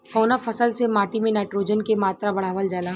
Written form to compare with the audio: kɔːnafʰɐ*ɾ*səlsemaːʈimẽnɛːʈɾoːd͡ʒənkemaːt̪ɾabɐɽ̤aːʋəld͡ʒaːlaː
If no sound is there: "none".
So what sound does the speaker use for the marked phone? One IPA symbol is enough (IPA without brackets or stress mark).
none